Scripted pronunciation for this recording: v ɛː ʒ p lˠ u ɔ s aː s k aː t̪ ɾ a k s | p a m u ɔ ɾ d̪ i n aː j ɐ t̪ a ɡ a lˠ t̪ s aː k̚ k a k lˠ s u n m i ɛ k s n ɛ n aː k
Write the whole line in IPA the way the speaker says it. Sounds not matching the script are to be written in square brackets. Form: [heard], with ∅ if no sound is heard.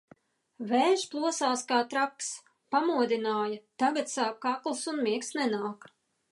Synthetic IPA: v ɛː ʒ p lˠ u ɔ s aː s k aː t̪ ɾ a k s | p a m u ɔ [∅] d̪ i n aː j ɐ t̪ a ɡ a [∅] t̪ s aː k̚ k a k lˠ s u n m i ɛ k s n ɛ n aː k

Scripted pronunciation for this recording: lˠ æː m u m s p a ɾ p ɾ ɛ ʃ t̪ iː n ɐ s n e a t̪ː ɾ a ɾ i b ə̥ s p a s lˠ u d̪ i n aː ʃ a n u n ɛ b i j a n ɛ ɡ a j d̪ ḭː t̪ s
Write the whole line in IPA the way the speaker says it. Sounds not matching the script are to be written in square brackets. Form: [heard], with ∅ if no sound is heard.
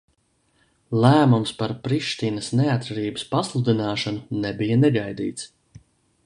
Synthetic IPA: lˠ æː m u m s p a ɾ p ɾ [i] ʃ t̪ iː n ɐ s n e a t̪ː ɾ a ɾ [iː] b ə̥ s p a s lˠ u d̪ i n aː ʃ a n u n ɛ b i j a n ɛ ɡ a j d̪ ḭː t̪ s

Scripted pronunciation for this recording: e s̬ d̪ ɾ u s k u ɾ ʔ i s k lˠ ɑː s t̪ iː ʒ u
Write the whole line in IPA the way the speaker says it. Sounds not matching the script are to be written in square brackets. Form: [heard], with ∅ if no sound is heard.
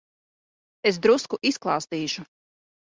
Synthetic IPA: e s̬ d̪ ɾ u s k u [∅] ʔ i s k lˠ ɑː s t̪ iː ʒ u

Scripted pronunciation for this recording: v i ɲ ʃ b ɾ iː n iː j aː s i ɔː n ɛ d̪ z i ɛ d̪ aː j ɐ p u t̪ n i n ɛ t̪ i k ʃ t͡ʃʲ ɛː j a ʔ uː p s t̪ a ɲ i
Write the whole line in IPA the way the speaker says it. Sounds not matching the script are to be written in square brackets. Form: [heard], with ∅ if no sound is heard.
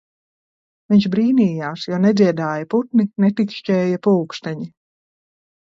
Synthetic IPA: v i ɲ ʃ b ɾ iː n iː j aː s [j] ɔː n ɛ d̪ z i ɛ d̪ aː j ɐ p u t̪ n i n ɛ t̪ i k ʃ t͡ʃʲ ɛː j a [p] uː [k] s t̪ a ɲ i

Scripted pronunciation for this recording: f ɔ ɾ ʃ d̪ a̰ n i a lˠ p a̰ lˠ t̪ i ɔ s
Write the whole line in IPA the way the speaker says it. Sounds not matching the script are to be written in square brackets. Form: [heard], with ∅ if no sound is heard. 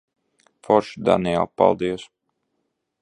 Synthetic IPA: f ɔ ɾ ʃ d̪ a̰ n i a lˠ p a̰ lˠ [d̪] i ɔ s

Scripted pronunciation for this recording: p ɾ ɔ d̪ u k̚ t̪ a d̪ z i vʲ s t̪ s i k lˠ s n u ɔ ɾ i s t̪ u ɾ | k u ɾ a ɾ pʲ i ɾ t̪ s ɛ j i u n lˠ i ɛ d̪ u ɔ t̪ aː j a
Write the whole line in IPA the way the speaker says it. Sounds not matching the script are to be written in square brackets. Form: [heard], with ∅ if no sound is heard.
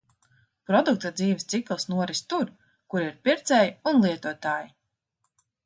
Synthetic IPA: p ɾ ɔ d̪ u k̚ t̪ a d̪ z [iː] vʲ s t̪ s i k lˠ s n u ɔ ɾ i s t̪ u ɾ | k u ɾ [i] ɾ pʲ i ɾ t̪ s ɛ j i u n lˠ i ɛ [t̪] u ɔ t̪ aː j [i]

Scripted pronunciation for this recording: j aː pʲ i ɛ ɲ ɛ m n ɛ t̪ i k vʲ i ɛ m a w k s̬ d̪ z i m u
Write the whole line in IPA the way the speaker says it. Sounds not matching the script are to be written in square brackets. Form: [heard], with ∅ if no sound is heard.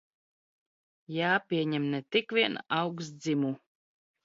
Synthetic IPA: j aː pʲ i ɛ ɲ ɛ m n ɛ t̪ i k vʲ i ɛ [n] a w k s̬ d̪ z i m u

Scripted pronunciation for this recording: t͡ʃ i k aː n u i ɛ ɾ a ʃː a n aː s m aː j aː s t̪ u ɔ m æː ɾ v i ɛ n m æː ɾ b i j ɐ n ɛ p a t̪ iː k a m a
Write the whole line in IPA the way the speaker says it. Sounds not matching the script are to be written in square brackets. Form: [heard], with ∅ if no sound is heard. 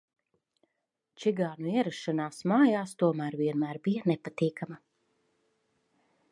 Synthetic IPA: t͡ʃ i [ɡ] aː n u i ɛ ɾ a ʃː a n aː s m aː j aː s t̪ u ɔ m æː ɾ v i ɛ n m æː ɾ b i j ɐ n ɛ p a t̪ iː k a m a

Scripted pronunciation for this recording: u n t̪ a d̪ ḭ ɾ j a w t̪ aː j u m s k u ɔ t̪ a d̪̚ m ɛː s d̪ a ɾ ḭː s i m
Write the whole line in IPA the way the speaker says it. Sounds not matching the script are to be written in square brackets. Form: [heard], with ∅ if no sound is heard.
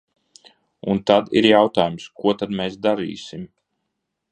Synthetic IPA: u n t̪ a d̪ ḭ ɾ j a w t̪ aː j u m s k u ɔ t̪ a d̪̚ m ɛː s d̪ a ɾ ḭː s i m

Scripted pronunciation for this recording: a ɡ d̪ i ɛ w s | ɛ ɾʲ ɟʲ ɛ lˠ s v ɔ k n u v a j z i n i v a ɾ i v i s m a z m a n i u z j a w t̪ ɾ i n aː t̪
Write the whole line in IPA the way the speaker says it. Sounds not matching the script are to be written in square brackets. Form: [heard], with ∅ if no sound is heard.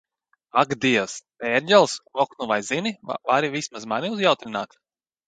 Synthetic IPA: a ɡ d̪ i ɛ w s | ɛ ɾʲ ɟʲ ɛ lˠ s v ɔ k n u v a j z i n i v a ɾ i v i s m a z m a n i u z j a w t̪ ɾ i n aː t̪

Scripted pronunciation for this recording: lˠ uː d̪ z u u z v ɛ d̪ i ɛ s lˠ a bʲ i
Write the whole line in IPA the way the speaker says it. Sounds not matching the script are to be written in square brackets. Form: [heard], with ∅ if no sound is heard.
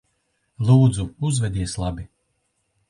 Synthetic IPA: lˠ uː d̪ z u u z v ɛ d̪ i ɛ s lˠ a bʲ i

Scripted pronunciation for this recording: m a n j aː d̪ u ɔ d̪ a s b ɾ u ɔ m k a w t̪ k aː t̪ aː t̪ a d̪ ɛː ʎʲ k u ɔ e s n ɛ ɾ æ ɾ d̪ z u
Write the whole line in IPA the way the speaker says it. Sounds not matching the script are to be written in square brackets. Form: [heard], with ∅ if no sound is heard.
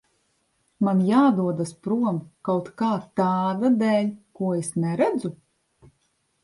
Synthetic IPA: m a n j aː d̪ u ɔ d̪ a s [p] ɾ u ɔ m k a w t̪ k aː t̪ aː [d̪] a d̪ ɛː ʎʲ k u ɔ e s n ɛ ɾ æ [∅] d̪ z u

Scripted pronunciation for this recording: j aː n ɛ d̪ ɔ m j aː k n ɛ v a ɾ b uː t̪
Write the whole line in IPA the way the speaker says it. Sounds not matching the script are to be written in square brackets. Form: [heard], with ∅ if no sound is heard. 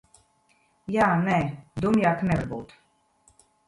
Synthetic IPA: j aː n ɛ d̪ [u] m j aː k n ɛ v a ɾ b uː t̪

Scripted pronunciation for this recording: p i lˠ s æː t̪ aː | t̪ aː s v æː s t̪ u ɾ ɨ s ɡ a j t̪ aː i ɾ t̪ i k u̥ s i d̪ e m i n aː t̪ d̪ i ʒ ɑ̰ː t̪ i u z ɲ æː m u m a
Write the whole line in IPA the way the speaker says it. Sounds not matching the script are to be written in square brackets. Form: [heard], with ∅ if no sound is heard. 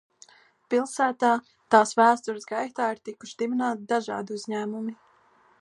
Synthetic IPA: p i lˠ s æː t̪ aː | t̪ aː s v æː s t̪ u ɾ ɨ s ɡ a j t̪ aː i ɾ t̪ i k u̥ [ʃ] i d̪ [i] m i n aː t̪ d̪ [a] ʒ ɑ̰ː [d̪] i u z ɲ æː m u m [i]

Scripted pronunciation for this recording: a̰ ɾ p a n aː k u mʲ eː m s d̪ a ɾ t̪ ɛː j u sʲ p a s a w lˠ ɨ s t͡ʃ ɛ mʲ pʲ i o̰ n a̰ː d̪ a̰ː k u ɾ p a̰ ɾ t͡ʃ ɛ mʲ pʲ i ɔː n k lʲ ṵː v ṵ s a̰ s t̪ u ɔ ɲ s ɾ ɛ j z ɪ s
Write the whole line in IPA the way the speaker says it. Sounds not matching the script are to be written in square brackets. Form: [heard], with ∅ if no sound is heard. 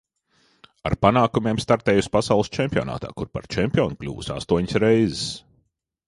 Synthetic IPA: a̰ ɾ p a n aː k u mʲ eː m s [t̪] a ɾ t̪ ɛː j u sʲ p a s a w lˠ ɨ s t͡ʃ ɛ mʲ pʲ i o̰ n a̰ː [t̪] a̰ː k u ɾ p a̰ ɾ t͡ʃ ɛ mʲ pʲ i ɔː n k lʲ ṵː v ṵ s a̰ s t̪ u ɔ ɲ s ɾ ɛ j z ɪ s

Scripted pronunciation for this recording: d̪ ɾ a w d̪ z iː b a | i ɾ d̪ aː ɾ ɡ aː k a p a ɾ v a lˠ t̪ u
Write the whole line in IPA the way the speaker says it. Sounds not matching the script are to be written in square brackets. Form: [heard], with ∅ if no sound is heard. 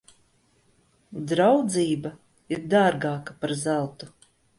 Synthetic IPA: d̪ ɾ a w d̪ z iː b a | i ɾ d̪ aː ɾ ɡ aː k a p a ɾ [z] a lˠ t̪ u

